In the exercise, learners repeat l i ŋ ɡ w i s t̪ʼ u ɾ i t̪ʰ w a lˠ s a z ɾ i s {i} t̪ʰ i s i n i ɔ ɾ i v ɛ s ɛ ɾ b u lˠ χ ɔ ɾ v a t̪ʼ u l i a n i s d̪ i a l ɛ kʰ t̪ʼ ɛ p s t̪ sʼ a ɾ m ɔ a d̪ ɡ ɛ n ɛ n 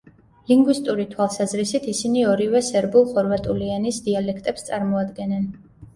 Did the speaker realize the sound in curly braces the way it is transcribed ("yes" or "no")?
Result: yes